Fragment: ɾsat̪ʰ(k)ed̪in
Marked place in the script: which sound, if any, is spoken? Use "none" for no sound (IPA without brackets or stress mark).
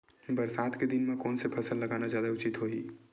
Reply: k